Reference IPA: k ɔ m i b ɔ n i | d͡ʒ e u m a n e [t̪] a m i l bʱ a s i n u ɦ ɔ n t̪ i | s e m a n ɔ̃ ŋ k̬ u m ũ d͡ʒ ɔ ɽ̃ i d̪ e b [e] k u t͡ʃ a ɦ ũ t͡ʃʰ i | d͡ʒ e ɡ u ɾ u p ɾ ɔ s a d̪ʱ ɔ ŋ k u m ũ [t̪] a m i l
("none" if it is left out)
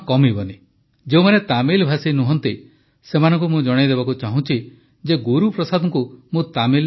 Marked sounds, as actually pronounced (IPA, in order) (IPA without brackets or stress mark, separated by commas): t̪, a, t̪